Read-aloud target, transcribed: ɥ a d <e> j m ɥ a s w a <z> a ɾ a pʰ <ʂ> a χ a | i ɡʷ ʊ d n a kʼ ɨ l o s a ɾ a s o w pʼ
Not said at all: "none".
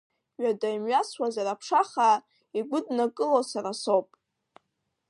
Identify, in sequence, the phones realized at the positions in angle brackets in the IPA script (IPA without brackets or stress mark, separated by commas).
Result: a, z, ʂ